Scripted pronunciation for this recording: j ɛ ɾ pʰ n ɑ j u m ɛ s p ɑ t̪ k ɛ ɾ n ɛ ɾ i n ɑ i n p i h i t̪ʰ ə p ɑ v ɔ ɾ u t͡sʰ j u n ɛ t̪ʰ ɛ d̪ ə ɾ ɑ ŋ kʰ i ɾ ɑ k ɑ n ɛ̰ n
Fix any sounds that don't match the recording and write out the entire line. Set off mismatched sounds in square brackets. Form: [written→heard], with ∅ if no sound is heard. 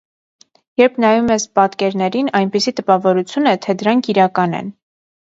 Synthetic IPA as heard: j ɛ ɾ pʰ n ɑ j u m ɛ s p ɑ t̪ k ɛ ɾ n ɛ ɾ i n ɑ [i→j] n p i [h→s] i [t̪ʰ→t̪] ə p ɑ v ɔ ɾ u t͡sʰ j u n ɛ t̪ʰ ɛ d̪ ə ɾ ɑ ŋ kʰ i ɾ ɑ k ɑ n ɛ̰ n